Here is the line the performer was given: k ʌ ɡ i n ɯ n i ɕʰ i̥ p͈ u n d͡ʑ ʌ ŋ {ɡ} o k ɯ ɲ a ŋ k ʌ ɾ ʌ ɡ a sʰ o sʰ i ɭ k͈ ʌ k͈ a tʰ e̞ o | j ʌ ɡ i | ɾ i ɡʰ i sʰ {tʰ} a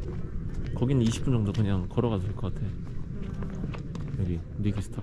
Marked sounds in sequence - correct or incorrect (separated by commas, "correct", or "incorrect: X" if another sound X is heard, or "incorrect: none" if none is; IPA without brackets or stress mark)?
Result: incorrect: d, correct